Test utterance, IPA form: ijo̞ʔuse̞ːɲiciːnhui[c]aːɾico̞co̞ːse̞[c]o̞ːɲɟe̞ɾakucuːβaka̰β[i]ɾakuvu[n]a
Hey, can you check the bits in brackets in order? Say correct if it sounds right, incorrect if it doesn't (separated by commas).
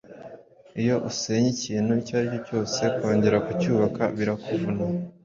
correct, incorrect, correct, correct